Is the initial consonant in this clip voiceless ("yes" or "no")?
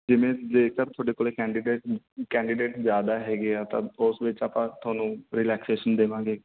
no